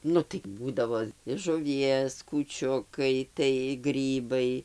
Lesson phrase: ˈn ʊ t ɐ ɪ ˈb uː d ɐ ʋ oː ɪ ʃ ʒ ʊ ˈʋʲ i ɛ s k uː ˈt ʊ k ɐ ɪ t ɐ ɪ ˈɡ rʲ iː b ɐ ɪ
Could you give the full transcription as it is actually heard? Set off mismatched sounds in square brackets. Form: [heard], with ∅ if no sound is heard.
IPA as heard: ˈn ʊ t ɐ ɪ ˈb uː d ɐ ʋ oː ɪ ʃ ʒ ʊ ˈʋʲ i ɛ s k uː [ˈt͡ʃʲ] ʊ k ɐ ɪ t ɐ ɪ ˈɡ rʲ iː b ɐ ɪ